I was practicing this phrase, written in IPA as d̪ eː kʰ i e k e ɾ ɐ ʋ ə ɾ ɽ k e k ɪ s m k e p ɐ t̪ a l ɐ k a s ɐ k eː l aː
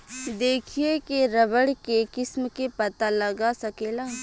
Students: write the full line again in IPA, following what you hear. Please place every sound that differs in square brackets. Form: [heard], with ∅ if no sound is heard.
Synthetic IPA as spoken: d̪ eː kʰ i e k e ɾ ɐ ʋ ə [∅] ɽ k e k ɪ s m k e p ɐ t̪ a l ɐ [ɡ] a s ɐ k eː l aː